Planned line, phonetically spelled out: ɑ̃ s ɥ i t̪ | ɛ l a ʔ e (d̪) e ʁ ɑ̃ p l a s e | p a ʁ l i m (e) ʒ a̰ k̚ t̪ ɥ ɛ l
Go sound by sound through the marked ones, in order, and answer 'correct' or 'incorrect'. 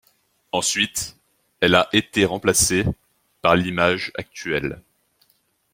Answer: incorrect, incorrect

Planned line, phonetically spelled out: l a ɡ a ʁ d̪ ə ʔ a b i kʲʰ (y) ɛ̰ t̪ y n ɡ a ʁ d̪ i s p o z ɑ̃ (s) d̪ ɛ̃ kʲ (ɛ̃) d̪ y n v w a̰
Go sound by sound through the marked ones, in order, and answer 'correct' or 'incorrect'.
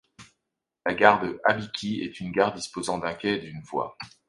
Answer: incorrect, incorrect, incorrect

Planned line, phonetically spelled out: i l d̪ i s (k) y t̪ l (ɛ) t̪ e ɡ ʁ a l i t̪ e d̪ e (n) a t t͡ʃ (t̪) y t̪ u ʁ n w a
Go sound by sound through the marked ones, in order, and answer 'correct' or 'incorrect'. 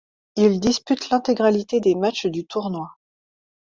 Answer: incorrect, incorrect, incorrect, incorrect

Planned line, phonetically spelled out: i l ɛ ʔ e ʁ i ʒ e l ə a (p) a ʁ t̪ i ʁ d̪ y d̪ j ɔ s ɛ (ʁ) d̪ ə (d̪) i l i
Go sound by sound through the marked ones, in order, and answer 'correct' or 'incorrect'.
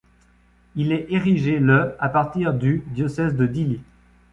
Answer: correct, incorrect, correct

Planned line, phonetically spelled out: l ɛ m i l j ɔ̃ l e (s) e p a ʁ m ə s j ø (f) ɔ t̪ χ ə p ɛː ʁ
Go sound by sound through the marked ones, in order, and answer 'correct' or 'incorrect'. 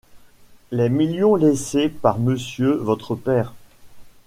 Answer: correct, incorrect

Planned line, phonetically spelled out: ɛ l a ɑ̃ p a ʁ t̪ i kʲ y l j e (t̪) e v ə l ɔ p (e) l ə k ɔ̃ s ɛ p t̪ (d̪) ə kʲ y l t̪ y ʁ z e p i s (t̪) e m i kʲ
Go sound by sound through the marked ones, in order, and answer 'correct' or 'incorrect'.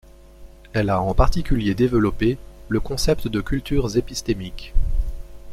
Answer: incorrect, correct, correct, correct

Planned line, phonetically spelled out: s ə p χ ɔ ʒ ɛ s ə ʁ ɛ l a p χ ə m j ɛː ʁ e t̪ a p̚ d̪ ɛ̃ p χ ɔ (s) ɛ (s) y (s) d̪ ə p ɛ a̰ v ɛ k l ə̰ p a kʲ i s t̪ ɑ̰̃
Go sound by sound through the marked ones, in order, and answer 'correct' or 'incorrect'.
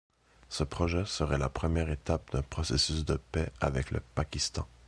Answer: correct, correct, correct

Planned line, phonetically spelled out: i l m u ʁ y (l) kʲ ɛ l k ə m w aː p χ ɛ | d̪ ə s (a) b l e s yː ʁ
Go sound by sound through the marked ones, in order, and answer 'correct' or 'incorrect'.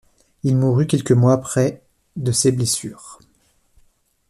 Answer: incorrect, incorrect

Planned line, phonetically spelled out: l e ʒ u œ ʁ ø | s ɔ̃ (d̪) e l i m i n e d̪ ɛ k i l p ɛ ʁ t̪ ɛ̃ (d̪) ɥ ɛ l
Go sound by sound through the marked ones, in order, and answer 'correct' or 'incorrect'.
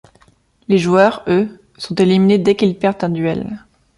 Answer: incorrect, correct

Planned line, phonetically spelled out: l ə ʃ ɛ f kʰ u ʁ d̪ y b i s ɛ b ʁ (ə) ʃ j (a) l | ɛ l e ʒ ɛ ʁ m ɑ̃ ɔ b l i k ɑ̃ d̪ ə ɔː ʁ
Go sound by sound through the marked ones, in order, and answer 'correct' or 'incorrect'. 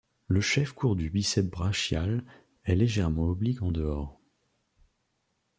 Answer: incorrect, correct

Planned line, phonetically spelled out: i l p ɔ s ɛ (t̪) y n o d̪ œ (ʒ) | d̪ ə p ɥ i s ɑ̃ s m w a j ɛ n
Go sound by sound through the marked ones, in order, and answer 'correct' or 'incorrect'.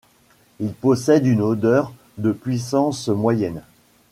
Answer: incorrect, incorrect

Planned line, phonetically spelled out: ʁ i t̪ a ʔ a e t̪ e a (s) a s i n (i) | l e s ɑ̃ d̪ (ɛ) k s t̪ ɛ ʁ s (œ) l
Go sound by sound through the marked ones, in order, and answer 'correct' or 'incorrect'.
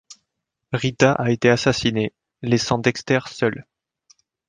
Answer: correct, incorrect, correct, correct

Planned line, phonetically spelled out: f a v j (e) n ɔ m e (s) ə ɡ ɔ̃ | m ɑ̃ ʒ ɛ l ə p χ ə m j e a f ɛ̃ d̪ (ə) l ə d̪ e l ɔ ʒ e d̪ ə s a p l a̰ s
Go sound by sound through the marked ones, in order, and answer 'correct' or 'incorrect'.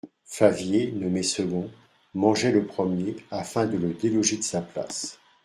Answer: correct, correct, correct

